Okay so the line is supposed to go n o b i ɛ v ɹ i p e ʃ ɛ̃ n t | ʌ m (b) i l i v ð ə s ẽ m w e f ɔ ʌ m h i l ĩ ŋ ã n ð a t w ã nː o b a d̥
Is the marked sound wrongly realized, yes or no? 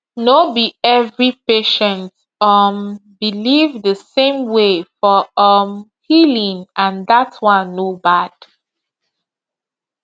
no